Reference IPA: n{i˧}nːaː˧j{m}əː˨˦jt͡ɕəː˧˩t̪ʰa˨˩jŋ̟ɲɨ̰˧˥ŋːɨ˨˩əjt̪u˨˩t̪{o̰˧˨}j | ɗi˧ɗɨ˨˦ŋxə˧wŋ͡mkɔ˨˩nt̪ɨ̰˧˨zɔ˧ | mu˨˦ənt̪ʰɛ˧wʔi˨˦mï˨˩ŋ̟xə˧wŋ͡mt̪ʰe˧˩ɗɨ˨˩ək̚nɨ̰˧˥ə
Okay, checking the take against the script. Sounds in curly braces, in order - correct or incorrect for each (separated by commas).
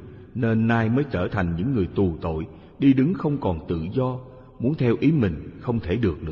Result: incorrect, correct, correct